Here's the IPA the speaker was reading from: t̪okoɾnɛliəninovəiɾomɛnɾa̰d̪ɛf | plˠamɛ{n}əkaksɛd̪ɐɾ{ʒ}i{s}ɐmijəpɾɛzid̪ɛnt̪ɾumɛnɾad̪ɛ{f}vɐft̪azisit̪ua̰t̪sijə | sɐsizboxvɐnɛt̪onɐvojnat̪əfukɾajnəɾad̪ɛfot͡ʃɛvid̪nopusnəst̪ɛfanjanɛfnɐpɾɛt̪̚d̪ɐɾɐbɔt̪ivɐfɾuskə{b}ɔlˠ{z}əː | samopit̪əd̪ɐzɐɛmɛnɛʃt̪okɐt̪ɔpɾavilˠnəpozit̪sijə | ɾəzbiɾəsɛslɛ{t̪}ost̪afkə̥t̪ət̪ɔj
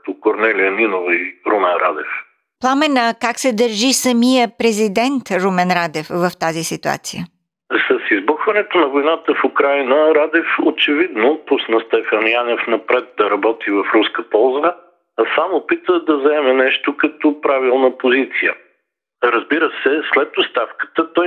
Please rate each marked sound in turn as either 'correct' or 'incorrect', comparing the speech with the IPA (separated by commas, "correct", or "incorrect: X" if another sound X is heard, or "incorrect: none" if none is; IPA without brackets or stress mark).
correct, correct, correct, correct, incorrect: p, correct, correct